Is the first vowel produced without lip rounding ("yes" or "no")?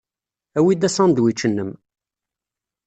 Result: yes